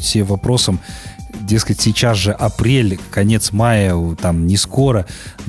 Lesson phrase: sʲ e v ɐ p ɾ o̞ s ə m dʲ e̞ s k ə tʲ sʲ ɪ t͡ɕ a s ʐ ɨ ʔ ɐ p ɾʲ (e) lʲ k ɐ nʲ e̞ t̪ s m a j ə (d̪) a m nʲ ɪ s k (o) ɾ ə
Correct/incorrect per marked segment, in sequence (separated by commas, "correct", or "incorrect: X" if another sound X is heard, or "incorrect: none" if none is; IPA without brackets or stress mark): correct, incorrect: t̪, correct